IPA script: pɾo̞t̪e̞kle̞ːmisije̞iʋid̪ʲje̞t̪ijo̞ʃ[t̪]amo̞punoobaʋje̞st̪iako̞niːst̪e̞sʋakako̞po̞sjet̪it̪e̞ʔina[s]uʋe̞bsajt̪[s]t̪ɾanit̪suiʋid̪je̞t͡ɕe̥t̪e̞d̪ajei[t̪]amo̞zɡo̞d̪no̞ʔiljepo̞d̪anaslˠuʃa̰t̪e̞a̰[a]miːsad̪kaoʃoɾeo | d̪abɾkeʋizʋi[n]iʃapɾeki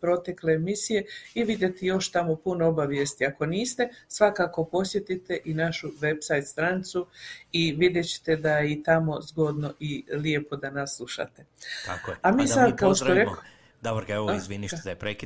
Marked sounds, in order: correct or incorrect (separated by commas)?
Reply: correct, incorrect, correct, correct, correct, correct